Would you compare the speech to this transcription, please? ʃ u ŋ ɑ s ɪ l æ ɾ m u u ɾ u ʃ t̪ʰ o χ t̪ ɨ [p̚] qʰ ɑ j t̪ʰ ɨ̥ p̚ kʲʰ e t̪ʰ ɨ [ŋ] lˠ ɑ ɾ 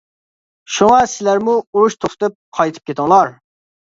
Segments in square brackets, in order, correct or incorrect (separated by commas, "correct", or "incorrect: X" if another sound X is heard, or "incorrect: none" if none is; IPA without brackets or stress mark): correct, correct